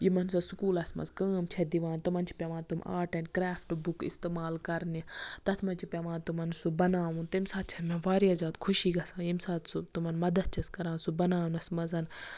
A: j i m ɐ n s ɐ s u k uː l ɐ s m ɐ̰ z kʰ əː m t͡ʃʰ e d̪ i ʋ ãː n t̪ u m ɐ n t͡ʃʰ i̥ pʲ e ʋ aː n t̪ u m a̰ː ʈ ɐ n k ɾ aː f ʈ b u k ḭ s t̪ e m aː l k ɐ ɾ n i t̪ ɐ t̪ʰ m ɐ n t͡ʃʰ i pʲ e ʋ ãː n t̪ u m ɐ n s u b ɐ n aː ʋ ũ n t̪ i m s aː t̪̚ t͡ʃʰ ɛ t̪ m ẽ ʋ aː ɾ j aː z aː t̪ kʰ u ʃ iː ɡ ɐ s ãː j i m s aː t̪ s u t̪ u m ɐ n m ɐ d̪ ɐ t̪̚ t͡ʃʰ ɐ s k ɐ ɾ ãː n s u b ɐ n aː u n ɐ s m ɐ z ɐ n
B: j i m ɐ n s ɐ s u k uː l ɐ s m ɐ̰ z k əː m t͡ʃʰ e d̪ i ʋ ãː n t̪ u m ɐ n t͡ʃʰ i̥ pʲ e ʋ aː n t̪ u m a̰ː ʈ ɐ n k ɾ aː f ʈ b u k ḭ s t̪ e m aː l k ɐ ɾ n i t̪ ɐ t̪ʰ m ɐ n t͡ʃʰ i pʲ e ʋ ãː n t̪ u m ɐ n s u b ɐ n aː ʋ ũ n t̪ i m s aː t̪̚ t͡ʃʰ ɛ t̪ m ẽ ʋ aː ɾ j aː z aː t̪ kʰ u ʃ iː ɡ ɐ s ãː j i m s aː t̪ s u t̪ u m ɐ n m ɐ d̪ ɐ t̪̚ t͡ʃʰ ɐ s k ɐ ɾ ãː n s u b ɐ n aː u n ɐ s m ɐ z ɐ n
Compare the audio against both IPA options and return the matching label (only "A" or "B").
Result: B